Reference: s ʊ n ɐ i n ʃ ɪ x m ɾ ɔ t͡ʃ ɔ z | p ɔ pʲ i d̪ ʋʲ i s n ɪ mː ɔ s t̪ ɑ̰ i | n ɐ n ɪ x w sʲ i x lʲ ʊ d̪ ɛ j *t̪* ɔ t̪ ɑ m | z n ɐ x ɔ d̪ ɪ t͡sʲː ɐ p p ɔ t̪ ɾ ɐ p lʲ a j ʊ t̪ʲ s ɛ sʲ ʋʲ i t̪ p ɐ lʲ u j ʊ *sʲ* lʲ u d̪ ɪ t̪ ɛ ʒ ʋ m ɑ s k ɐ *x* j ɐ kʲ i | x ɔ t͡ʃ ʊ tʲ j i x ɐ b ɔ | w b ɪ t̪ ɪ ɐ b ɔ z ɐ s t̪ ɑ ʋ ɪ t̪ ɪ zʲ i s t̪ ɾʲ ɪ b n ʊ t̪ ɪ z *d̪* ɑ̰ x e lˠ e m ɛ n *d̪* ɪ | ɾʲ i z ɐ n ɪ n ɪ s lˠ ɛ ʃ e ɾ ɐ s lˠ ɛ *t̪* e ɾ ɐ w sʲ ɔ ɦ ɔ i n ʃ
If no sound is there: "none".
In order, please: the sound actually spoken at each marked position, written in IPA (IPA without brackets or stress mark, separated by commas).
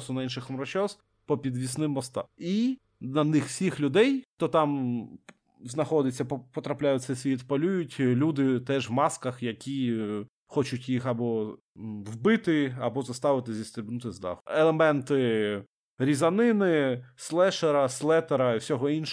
t̪, tʲ, x, d̪, t̪, t̪